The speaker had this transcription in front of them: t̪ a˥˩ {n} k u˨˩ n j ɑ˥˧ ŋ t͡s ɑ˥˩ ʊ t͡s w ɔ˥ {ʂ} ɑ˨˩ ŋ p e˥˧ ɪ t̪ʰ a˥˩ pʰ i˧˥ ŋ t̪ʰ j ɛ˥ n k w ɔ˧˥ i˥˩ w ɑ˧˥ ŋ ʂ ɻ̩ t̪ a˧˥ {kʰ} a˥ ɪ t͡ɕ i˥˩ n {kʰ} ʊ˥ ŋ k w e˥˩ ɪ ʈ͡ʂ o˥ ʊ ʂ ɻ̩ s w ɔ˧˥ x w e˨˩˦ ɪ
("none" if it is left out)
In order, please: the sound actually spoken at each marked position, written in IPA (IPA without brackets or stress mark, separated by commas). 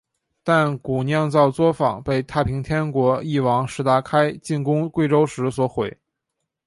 n, f, kʰ, k